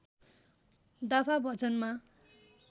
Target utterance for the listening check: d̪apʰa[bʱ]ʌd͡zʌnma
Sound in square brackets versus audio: correct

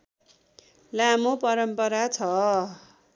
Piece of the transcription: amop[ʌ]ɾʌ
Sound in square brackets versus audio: correct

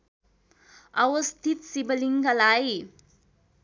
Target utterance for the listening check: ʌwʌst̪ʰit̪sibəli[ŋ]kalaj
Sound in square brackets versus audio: correct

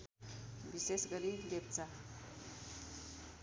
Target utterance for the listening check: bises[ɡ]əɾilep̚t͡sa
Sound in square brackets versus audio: correct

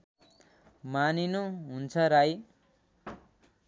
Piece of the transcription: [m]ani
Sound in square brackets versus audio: correct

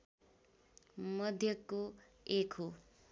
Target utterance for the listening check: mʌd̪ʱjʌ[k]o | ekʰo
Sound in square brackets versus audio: correct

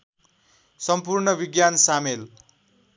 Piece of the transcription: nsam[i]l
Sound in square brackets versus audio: incorrect: e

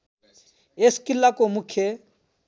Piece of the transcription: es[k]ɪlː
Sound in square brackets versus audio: correct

